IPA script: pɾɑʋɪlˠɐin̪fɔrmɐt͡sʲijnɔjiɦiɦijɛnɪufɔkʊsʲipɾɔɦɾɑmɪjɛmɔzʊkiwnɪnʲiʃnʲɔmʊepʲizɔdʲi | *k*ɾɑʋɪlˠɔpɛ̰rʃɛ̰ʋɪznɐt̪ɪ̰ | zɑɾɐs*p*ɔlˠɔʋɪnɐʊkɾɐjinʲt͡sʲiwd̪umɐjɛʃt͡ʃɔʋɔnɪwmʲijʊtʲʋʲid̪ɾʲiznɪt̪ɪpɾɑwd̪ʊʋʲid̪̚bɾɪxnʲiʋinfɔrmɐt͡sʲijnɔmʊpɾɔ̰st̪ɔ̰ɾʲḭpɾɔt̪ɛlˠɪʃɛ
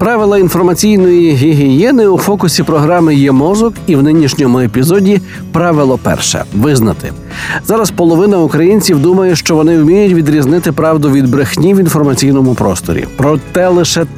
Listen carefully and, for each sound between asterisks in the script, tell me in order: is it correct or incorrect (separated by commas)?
incorrect, correct